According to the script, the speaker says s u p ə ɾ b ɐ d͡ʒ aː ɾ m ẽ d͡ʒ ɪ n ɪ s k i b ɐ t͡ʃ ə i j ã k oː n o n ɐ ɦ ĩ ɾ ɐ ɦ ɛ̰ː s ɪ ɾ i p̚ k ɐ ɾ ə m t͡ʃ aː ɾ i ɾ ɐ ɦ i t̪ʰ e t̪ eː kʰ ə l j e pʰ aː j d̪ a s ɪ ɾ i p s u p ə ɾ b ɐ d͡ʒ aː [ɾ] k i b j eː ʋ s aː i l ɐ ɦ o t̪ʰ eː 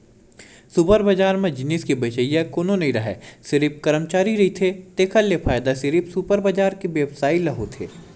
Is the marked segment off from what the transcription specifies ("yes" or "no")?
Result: no